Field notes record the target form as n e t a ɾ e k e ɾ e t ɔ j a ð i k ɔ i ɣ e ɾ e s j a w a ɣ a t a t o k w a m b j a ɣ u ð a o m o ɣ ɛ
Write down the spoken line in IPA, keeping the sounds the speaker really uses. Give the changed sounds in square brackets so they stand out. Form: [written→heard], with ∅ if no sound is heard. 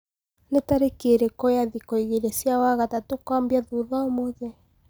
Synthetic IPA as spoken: n e t a ɾ e k e ɾ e [t→k] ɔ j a ð i k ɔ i ɣ e ɾ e s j a w a ɣ a t a t o k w a m b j a [ɣ→ð] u ð a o m o [ɣ→ð] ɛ